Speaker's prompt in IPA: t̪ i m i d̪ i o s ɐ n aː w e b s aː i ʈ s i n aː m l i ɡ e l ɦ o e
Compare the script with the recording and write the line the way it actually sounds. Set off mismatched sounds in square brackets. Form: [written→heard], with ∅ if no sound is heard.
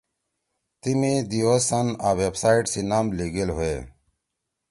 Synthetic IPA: t̪ i m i d̪ i o s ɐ n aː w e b s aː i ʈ s i n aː m l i ɡ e l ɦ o e